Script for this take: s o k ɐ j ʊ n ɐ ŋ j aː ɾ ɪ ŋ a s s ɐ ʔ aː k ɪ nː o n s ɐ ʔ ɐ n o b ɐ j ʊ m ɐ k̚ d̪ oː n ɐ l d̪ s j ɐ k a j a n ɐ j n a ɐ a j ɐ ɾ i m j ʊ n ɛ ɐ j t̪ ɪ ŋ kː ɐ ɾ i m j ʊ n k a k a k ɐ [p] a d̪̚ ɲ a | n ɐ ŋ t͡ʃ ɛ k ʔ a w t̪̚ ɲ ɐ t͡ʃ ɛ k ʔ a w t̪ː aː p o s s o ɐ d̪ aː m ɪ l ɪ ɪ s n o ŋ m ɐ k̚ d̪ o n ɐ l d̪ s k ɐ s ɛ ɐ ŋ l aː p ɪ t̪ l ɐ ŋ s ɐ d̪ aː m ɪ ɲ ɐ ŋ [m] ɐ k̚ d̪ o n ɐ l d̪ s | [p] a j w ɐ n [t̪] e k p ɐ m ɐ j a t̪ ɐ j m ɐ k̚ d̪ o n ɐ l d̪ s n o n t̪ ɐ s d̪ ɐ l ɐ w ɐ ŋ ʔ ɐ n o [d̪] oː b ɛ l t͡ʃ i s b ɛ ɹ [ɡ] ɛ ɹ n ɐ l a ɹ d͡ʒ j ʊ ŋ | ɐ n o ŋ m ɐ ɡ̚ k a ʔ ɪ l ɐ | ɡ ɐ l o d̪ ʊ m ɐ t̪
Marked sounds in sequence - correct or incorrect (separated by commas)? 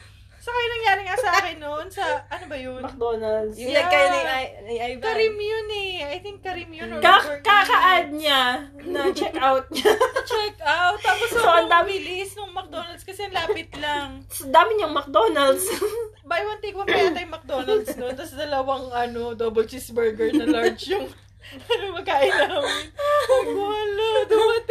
incorrect, correct, incorrect, correct, correct, correct